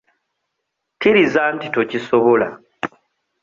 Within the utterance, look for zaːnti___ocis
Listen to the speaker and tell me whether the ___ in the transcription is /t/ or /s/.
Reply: t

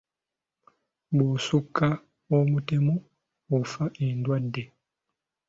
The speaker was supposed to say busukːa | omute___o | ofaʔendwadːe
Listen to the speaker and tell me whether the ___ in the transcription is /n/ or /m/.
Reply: m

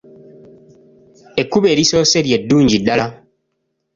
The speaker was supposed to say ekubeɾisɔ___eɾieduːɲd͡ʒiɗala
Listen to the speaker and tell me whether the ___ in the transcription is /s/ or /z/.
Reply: s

